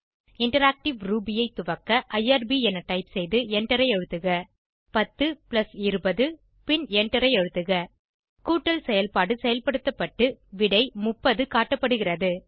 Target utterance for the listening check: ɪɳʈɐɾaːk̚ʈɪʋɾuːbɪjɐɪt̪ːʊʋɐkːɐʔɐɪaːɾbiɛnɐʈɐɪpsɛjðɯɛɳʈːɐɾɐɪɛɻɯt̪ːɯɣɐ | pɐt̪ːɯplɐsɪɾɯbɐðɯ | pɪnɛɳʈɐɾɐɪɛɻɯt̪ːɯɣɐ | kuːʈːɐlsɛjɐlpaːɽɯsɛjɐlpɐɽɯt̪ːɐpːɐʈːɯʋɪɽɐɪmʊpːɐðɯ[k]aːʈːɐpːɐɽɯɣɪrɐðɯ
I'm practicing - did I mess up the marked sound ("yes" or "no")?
no